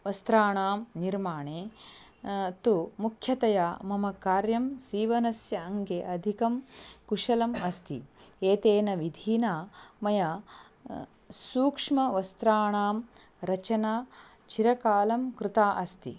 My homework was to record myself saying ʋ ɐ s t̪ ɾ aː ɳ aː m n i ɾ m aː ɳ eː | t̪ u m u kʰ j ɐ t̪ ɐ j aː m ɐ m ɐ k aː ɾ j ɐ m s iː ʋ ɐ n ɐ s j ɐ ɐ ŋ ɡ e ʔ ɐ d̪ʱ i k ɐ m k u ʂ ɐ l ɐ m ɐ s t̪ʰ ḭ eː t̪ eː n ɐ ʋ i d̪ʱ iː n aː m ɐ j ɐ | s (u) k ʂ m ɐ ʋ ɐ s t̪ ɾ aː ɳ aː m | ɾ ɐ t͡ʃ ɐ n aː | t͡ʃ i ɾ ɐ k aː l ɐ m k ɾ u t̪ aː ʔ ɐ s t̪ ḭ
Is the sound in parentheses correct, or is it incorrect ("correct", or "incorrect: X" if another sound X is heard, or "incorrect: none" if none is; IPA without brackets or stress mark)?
incorrect: uː